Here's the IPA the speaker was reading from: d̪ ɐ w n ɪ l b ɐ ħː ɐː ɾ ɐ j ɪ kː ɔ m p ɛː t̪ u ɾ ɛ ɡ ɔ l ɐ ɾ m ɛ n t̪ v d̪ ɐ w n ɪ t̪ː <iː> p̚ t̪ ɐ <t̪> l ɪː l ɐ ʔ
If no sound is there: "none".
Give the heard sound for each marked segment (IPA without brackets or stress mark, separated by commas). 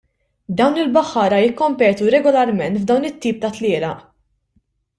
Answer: iː, t̪